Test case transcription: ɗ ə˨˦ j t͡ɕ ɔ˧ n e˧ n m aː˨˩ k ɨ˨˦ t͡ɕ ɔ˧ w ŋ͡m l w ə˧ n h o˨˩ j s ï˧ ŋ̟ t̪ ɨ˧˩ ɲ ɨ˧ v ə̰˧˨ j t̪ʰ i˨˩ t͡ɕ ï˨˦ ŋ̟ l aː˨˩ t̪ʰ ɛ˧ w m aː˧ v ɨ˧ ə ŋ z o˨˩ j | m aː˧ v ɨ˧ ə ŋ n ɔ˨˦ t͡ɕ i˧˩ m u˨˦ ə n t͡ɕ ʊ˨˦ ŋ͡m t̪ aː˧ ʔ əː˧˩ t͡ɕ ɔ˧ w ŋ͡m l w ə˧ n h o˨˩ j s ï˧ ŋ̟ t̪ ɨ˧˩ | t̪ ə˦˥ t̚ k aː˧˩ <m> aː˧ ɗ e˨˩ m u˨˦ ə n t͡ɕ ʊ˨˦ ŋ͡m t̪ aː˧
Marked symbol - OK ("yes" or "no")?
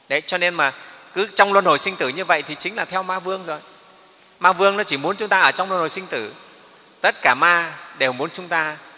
yes